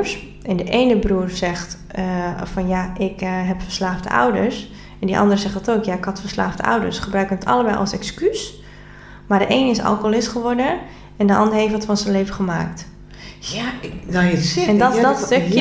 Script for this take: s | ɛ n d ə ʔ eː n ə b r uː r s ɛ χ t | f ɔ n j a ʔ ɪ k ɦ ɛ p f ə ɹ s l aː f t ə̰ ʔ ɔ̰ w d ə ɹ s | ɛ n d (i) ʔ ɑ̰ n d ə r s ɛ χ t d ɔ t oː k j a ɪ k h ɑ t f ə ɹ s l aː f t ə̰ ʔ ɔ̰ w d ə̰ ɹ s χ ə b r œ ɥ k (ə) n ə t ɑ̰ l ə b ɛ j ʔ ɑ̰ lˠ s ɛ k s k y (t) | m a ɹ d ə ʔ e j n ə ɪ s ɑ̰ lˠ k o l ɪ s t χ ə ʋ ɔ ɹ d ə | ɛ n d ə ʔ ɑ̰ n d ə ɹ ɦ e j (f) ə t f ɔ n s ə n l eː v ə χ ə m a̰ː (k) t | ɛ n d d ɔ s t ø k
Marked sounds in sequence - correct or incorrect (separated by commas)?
correct, correct, incorrect, correct, correct